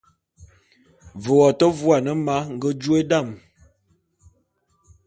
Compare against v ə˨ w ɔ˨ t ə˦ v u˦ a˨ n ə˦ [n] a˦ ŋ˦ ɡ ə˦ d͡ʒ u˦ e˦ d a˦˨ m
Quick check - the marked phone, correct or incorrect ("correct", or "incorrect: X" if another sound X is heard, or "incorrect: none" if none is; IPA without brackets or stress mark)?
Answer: incorrect: m